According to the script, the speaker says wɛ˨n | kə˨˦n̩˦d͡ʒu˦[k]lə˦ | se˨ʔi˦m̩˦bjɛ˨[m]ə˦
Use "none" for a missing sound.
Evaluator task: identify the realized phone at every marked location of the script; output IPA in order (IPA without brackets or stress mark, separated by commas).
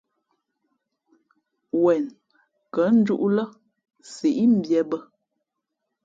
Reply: ʔ, b